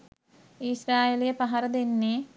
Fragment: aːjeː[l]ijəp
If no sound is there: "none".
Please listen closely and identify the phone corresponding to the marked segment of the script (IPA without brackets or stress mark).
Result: l